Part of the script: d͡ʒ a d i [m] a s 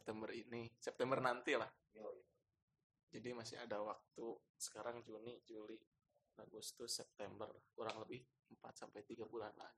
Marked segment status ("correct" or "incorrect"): correct